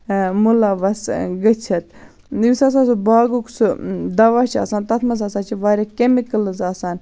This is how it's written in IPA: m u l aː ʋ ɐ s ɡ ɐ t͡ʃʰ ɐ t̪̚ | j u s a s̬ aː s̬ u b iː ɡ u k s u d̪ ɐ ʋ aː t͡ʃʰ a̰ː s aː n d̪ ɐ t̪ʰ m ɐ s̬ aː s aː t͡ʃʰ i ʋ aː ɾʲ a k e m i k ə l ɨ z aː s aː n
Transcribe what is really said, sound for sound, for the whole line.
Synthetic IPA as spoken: m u l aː ʋ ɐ s ɡ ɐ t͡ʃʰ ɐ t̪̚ | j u s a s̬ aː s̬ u b aː ɡ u k s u d̪ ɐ ʋ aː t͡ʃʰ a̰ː s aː n t̪ ɐ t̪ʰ m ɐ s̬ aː s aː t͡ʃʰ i ʋ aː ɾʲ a k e m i k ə l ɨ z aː s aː n